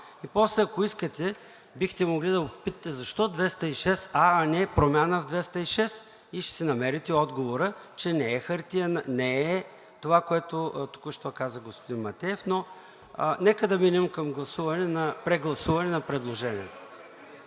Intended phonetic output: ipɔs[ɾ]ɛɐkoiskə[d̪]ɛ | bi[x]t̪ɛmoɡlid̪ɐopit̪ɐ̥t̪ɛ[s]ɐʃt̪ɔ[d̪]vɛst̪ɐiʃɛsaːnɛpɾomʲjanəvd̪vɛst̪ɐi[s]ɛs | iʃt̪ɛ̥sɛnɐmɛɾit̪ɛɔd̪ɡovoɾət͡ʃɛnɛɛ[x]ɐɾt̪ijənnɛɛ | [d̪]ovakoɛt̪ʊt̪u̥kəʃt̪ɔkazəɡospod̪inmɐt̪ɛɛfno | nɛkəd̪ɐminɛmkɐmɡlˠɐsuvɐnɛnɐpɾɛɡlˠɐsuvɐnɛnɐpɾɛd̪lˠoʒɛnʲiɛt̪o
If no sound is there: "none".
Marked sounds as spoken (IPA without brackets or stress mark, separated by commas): l, t̪, x, z, d̪, ʃ, x, t̪